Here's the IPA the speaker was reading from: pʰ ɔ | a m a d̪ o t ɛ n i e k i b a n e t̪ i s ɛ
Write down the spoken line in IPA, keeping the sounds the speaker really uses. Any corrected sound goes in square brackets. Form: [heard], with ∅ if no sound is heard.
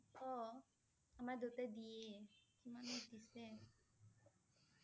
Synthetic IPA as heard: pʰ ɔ | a m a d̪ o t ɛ [d] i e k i [m] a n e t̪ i s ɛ